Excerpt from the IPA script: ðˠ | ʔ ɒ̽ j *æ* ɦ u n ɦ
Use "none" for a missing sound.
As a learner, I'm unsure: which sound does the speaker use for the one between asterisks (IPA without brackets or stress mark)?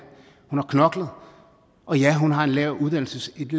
æ